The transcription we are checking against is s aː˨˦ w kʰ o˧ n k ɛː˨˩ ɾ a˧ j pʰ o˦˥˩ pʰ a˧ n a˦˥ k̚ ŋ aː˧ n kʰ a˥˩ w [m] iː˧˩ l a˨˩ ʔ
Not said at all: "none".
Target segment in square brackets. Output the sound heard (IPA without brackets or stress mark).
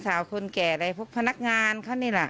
n